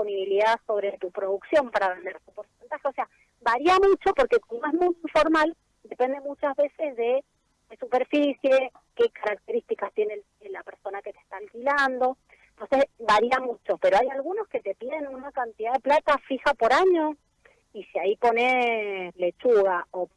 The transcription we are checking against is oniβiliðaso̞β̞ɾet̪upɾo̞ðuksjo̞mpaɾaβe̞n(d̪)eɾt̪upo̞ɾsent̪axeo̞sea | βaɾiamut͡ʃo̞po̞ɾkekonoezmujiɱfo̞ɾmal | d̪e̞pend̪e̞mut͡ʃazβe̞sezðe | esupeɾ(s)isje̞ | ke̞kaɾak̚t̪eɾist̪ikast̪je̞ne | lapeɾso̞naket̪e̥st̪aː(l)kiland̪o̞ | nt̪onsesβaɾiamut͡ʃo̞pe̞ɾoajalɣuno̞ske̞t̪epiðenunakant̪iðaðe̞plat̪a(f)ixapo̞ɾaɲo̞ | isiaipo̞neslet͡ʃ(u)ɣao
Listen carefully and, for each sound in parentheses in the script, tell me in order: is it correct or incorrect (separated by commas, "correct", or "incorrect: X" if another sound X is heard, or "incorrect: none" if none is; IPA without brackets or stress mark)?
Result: correct, incorrect: f, correct, correct, correct